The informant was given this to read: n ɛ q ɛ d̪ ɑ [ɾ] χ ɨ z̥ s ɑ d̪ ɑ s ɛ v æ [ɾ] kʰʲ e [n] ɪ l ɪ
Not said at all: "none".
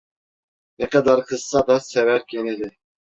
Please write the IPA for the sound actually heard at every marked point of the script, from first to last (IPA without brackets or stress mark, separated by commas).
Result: ɾ, ɾ, n